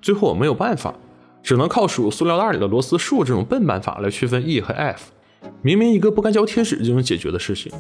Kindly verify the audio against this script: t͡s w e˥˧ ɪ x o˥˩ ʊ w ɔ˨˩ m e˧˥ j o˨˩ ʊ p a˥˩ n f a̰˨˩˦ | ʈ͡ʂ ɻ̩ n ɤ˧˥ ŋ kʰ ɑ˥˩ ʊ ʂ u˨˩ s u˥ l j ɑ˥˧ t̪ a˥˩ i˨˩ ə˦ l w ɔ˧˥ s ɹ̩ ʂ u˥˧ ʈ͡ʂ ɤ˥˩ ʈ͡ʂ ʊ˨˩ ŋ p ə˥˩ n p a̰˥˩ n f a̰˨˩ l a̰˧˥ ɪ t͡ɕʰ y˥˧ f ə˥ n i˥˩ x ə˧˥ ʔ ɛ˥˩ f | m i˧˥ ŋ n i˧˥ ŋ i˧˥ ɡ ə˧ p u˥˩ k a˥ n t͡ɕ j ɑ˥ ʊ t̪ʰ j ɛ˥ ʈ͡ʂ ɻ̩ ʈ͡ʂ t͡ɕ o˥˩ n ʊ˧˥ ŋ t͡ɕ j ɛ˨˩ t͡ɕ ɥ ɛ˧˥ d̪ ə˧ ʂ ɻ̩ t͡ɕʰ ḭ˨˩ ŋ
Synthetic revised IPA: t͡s w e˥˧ ɪ x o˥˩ ʊ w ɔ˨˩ m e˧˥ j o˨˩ ʊ p a˥˩ n f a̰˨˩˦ | ʈ͡ʂ ɻ̩ n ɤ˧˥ ŋ kʰ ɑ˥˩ ʊ ʂ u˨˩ s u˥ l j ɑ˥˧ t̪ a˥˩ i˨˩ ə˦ l w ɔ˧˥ s ɹ̩ ʂ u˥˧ ʈ͡ʂ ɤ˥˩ ʈ͡ʂ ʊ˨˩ ŋ p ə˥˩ n p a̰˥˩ n f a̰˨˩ l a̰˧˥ ɪ t͡ɕʰ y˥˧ f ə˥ n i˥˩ x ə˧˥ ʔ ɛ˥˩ f | m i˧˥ ŋ m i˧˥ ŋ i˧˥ ɡ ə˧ p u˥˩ k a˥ n t͡ɕ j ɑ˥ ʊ t̪ʰ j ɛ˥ ʈ͡ʂ ɻ̩ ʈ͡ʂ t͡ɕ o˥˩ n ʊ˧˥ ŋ t͡ɕ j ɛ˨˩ t͡ɕ ɥ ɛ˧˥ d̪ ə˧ ʂ ɻ̩ t͡ɕʰ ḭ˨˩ ŋ